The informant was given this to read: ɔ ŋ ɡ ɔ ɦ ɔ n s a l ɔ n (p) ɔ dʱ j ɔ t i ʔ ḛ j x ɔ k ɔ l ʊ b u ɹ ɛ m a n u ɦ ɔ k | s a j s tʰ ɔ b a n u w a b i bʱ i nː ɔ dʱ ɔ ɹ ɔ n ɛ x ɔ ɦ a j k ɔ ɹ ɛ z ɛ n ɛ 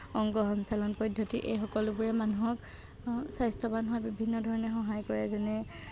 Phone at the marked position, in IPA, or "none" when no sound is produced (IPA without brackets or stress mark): p